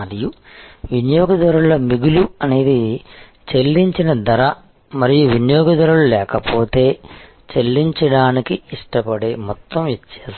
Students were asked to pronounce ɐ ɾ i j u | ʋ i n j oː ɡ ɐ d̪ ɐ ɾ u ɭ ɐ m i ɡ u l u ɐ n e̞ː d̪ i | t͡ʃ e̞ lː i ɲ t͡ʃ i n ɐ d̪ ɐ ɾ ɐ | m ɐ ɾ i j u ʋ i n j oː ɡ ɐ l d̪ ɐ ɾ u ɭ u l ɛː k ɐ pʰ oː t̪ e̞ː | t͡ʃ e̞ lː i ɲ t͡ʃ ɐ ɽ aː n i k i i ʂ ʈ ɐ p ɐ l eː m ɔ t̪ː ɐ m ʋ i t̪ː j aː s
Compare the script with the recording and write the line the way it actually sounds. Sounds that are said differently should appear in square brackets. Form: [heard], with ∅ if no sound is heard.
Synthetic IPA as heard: ɐ ɾ i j u | ʋ i n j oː ɡ ɐ d̪ ɐ ɾ u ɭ ɐ m i ɡ u l u ɐ n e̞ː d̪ i | t͡ʃ e̞ lː i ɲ t͡ʃ i n ɐ d̪ ɐ ɾ ɐ | m ɐ ɾ i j u ʋ i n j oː ɡ ɐ [∅] d̪ ɐ ɾ u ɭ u l ɛː k ɐ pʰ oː t̪ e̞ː | t͡ʃ e̞ lː i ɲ t͡ʃ ɐ ɽ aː n i k i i ʂ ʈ ɐ p ɐ [ɽ] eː m ɔ t̪ː ɐ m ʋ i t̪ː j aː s